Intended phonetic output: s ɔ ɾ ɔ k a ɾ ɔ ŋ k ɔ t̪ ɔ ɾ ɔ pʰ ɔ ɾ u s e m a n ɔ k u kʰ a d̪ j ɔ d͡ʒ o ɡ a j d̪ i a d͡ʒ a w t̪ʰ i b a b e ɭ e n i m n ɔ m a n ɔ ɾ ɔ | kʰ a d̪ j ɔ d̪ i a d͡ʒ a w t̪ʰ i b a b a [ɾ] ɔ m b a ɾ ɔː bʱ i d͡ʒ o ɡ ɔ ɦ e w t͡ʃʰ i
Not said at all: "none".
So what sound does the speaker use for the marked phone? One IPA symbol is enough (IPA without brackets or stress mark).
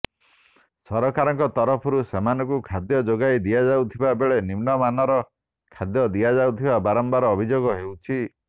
ɾ